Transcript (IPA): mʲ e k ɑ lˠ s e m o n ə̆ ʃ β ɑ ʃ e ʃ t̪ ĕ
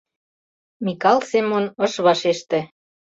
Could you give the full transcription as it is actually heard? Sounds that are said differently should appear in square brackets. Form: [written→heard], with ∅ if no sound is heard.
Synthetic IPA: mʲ [e→i] k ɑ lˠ s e m o n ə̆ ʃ β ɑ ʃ e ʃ t̪ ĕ